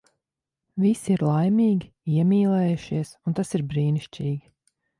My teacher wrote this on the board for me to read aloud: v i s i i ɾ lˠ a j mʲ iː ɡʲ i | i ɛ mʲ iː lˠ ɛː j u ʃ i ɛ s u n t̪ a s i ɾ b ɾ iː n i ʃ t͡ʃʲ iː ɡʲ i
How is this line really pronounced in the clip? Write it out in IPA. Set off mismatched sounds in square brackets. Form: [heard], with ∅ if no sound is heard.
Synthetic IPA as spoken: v i s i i ɾ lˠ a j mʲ iː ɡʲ i | i ɛ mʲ iː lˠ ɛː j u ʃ i ɛ s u n t̪ a s i ɾ b ɾ iː n i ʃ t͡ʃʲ iː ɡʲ i